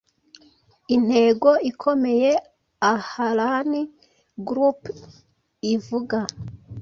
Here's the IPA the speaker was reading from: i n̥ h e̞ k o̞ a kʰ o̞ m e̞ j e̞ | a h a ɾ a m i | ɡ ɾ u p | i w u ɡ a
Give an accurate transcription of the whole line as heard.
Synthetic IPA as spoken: i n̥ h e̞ ɡ o̞ i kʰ o̞ m e̞ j e̞ | a h a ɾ a n i | ɡ ɾ u p | i v u ɡ a